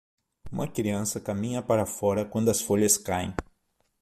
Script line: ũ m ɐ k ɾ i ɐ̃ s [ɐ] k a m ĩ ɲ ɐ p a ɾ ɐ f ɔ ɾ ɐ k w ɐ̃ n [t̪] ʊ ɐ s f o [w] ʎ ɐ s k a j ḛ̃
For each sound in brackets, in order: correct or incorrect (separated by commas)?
correct, incorrect, incorrect